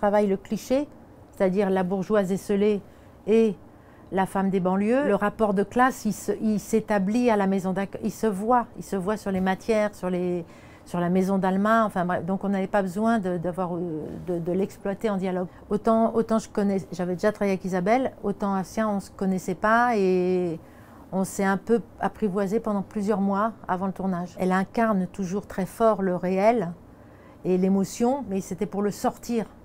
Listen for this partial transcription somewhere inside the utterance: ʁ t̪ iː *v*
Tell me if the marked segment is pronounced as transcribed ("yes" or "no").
no